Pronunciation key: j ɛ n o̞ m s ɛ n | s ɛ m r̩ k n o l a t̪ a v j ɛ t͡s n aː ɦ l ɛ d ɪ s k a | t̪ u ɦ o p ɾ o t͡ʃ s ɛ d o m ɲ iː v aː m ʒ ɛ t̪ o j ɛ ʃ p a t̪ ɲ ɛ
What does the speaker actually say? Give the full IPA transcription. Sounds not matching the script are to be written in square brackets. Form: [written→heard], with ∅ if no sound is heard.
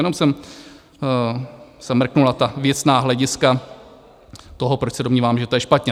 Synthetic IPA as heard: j ɛ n o̞ m s ɛ [n→m] | s ɛ m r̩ k n [o→u] l a t̪ a v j ɛ t͡s n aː ɦ l ɛ [d→ɟ] ɪ s k a | t̪ [u→o] ɦ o p ɾ o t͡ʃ s ɛ d o m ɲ iː v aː m ʒ ɛ t̪ o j ɛ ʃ p a t̪ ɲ ɛ

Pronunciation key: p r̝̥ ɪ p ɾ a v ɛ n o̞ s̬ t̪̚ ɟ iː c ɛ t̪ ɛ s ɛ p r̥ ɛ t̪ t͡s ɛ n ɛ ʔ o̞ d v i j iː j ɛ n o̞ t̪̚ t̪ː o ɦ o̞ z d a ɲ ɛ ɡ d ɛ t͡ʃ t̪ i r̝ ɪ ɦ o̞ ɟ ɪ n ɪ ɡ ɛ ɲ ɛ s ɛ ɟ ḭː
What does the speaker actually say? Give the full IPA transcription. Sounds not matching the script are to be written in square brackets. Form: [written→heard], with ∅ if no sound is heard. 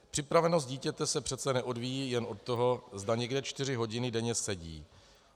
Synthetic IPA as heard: p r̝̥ ɪ p ɾ a v ɛ n o̞ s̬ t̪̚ ɟ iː c ɛ t̪ ɛ s ɛ p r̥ ɛ t̪ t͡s ɛ n ɛ ʔ o̞ d v i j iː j ɛ n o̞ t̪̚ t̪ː o ɦ o̞ z d a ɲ ɛ ɡ d ɛ t͡ʃ t̪ [i→ɪ] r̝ ɪ ɦ o̞ ɟ ɪ n ɪ [ɡ→d] ɛ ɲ ɛ s ɛ ɟ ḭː

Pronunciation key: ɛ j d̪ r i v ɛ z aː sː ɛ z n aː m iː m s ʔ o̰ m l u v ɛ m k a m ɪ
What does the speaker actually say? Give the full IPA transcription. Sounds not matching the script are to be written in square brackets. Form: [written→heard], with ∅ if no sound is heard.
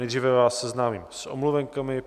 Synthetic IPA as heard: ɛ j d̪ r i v ɛ [z→v] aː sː ɛ z n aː m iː m s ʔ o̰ m l u v ɛ [m→ŋ] k a m ɪ

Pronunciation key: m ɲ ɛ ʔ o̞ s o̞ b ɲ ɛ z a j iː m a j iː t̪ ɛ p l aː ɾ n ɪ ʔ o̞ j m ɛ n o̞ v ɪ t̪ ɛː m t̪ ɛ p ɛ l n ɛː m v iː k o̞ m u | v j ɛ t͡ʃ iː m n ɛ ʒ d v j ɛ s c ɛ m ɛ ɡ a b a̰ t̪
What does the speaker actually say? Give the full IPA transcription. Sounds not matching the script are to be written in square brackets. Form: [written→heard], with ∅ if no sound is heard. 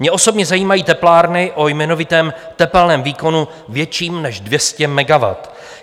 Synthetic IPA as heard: m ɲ ɛ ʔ o̞ s o̞ b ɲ ɛ z a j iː m a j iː t̪ ɛ p l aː ɾ n ɪ ʔ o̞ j m ɛ n o̞ v ɪ t̪ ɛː m t̪ ɛ p ɛ l n ɛː m v iː k o̞ [m→n] u | v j ɛ t͡ʃ iː m n ɛ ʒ d v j ɛ s c ɛ m ɛ ɡ a [b→v] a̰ t̪

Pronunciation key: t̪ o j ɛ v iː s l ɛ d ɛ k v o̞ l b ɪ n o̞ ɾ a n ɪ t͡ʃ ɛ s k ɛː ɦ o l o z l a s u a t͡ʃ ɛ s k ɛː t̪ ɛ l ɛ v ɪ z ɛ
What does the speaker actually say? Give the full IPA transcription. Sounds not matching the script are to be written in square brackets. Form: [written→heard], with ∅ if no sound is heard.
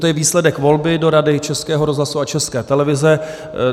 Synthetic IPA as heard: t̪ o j ɛ v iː s l ɛ d ɛ k v o̞ l b ɪ [n→d] o̞ ɾ a [n→d] ɪ t͡ʃ ɛ s k ɛː ɦ o [l→ɾ] o z l a s u a t͡ʃ ɛ s k ɛː t̪ ɛ l ɛ v ɪ z ɛ

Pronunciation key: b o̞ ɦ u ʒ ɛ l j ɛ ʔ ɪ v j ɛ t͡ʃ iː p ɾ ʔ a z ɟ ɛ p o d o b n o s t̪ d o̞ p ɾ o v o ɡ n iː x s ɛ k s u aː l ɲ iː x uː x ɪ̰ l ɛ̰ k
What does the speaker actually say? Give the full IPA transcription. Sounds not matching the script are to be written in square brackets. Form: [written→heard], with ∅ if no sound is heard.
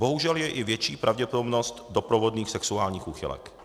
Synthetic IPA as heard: b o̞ ɦ u ʒ ɛ l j ɛ ʔ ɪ v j ɛ t͡ʃ iː p ɾ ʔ a [z→v] ɟ ɛ p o d o b n o s t̪ d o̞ p ɾ o v o [ɡ→d] n iː x s ɛ k s u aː l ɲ iː x uː x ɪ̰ l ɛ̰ k

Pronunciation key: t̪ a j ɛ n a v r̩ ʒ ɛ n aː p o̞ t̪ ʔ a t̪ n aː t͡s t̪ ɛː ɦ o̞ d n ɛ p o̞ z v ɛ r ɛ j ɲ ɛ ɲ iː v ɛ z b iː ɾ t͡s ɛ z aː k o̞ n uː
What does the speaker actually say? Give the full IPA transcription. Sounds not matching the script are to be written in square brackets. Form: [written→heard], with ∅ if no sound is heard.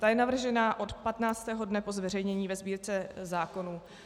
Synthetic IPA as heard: t̪ a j ɛ n a v r̩ ʒ ɛ n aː [p→ʔ] o̞ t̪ [ʔ→p] a t̪ n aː t͡s t̪ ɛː ɦ o̞ d n ɛ p o̞ z v ɛ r ɛ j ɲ ɛ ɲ iː v ɛ z b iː ɾ t͡s ɛ z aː k o̞ n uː

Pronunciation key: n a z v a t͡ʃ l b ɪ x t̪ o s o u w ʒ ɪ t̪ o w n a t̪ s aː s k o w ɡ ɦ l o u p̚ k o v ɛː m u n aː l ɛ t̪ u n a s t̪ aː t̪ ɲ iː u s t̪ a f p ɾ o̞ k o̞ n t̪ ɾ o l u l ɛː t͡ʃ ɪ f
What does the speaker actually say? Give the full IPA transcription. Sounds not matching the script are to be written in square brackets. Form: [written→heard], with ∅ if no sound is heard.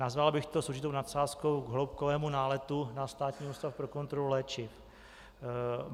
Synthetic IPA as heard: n a z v a [t͡ʃ→∅] l b ɪ x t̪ o s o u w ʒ ɪ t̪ o w n a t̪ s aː s k o w ɡ ɦ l o [u→w] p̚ k o v ɛː m u n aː l ɛ t̪ u n a s t̪ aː t̪ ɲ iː u s t̪ a f p ɾ o̞ k o̞ n t̪ ɾ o l u l ɛː t͡ʃ ɪ f

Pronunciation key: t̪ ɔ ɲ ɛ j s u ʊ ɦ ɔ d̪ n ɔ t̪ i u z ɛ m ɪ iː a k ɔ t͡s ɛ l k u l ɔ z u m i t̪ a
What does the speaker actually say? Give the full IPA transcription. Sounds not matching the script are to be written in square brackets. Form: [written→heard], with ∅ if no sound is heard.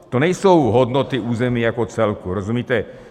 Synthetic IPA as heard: t̪ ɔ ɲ ɛ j s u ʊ ɦ ɔ d̪ n ɔ t̪ i [u→uː] z ɛ m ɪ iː a k ɔ t͡s ɛ l k u [l→ɾ] ɔ z u m i t̪ [a→ɛ]

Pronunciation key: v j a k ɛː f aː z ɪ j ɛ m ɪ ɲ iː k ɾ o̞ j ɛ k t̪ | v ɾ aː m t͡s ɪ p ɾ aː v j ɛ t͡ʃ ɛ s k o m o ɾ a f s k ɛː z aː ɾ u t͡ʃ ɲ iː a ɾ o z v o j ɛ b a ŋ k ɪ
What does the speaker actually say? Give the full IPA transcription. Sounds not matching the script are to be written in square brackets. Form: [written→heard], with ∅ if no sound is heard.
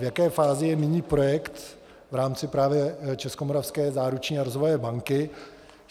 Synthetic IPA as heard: v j a k ɛː f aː z ɪ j ɛ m ɪ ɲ iː [k→p] ɾ o̞ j ɛ k t̪ | v ɾ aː m t͡s ɪ p ɾ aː v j ɛ t͡ʃ ɛ s k o m o ɾ a f s k ɛː z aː ɾ u t͡ʃ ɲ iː a ɾ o z v o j ɛ b a ŋ k ɪ

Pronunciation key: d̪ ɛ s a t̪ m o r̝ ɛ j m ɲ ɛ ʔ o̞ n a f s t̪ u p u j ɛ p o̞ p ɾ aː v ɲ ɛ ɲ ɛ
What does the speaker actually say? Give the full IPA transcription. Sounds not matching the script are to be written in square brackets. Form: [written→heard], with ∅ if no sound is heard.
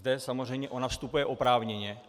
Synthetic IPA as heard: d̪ ɛ s a [t̪→∅] m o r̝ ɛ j m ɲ ɛ ʔ o̞ n a f s t̪ u p u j ɛ [p→ʔ] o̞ p ɾ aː v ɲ ɛ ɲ ɛ

